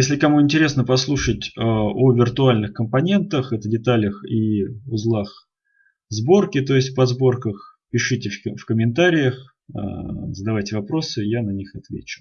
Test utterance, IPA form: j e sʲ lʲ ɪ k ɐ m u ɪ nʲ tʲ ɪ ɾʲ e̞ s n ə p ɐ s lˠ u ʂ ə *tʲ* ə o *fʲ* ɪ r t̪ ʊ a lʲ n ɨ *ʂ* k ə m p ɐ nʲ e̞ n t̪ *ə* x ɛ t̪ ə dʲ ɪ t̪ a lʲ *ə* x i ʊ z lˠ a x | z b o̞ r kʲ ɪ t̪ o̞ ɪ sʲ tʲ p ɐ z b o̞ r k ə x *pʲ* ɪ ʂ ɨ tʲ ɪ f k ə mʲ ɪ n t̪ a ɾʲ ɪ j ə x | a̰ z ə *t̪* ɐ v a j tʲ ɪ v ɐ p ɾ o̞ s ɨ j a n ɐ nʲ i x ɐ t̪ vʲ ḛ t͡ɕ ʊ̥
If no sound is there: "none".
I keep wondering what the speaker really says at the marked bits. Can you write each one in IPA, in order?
tʲ, vʲ, x, ə, ə, pʲ, d̪

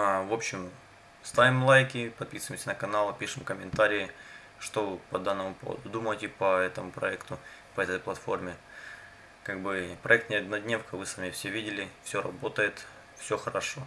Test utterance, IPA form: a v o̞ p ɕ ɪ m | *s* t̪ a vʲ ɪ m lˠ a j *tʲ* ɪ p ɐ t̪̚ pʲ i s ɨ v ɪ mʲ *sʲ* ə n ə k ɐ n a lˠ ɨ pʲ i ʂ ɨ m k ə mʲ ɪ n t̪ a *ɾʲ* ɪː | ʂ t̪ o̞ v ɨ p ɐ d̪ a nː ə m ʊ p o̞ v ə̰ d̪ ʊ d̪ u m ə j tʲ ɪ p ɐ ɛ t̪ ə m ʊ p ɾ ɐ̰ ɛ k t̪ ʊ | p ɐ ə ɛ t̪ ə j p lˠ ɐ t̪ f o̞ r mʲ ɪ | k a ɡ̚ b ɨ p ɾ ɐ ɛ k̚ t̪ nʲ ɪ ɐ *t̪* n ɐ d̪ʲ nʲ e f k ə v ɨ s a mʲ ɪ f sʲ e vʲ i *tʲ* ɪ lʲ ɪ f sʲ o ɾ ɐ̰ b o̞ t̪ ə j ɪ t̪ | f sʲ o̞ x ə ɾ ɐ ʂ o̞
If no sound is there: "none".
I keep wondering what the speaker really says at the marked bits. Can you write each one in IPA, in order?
s, kʲ, sʲ, ɾʲ, d̪, dʲ

